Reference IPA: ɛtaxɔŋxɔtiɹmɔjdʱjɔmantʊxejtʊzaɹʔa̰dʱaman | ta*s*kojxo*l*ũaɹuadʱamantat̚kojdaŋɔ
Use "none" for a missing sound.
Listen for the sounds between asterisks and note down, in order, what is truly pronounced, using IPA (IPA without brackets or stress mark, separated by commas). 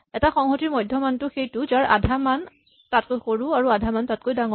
t, ɹ